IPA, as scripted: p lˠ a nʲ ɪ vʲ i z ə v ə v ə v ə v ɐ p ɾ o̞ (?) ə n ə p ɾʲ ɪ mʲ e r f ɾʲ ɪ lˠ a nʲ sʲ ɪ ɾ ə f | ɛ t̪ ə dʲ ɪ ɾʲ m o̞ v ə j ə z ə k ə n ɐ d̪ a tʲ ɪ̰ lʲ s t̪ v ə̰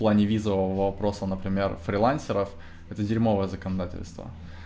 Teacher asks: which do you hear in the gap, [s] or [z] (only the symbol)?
s